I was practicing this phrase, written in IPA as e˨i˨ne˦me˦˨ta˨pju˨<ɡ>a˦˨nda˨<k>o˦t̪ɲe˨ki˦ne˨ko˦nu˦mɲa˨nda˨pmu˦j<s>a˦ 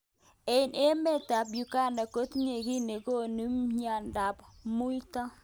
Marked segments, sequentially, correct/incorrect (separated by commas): incorrect, correct, incorrect